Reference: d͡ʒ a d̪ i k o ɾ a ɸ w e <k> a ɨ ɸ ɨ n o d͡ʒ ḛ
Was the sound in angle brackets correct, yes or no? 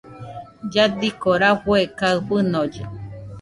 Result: yes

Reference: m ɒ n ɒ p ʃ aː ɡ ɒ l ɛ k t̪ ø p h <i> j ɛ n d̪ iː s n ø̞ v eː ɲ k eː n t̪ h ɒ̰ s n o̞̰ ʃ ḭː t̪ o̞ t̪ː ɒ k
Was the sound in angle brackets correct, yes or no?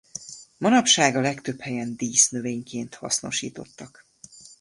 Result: no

